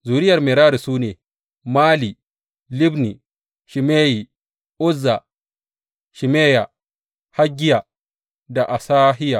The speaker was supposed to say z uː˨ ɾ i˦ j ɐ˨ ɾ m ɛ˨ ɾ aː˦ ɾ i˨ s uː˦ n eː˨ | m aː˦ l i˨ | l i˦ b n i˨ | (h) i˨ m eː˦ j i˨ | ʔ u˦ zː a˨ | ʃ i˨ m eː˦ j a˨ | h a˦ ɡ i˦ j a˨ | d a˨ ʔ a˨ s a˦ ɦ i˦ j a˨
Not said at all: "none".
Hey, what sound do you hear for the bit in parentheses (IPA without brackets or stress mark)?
ʃ